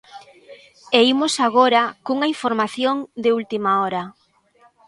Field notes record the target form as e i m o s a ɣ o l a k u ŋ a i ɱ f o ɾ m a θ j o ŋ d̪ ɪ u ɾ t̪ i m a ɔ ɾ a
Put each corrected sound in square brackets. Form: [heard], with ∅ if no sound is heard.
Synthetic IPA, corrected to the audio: e i m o s a ɣ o [ɾ] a k u ŋ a i ɱ f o ɾ m a θ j o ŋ d̪ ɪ u [l] t̪ i m a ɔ ɾ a